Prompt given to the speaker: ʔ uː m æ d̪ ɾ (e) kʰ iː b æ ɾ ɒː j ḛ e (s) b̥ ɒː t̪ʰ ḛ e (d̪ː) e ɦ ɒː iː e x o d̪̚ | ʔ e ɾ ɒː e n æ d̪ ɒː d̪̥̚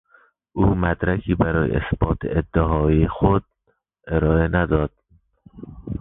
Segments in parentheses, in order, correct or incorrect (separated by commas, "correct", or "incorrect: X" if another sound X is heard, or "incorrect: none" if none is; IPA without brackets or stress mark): incorrect: æ, correct, correct